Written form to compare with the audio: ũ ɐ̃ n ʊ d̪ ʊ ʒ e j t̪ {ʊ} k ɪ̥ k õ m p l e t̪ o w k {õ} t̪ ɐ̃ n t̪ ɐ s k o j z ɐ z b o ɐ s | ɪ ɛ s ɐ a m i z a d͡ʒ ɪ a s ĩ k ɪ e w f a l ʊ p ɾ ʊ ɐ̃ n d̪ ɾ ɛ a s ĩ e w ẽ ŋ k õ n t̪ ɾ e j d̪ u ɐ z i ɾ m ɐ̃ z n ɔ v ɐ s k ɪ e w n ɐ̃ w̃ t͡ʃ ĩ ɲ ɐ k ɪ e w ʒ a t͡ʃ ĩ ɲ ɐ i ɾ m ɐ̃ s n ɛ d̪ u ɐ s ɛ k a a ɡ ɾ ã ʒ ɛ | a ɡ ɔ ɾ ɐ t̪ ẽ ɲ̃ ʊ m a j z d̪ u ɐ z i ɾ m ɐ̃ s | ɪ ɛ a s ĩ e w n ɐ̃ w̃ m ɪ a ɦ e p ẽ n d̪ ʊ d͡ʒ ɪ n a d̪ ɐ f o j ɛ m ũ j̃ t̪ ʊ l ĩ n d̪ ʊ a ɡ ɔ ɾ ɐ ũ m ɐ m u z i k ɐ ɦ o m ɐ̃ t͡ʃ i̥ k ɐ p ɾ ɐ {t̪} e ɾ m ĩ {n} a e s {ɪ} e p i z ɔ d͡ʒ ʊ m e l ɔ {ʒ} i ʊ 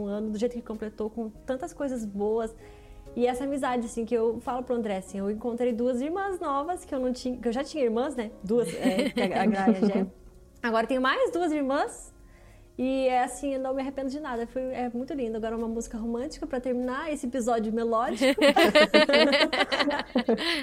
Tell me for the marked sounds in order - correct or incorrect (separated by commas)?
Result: correct, correct, correct, correct, correct, incorrect